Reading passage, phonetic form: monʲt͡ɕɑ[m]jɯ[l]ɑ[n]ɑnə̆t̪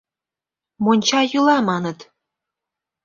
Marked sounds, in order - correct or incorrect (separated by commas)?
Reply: incorrect, correct, incorrect